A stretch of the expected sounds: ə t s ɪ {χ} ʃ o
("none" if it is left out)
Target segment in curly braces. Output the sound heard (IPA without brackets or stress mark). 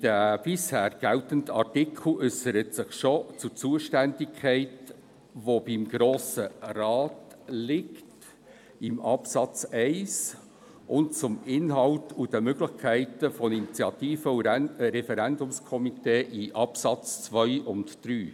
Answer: χ